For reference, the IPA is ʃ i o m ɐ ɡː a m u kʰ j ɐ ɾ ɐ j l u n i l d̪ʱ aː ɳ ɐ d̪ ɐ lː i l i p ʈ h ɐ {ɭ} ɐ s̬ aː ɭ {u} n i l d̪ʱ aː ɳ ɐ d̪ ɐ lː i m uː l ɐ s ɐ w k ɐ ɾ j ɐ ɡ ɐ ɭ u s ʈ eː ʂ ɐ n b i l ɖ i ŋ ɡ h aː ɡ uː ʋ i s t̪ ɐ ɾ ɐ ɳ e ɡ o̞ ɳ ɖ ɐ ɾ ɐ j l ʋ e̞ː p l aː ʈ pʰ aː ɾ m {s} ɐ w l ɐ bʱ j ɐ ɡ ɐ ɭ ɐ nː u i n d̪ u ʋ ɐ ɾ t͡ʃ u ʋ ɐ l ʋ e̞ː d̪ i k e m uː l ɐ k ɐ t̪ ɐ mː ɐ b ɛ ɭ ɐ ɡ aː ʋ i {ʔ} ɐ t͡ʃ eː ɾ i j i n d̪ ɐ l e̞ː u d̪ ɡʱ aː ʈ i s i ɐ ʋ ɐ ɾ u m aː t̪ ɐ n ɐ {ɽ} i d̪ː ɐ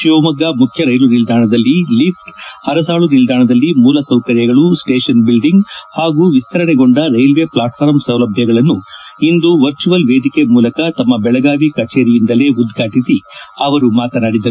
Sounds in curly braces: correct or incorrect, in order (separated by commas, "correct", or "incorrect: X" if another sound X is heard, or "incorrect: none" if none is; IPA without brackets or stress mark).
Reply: incorrect: ɾ, correct, correct, incorrect: k, correct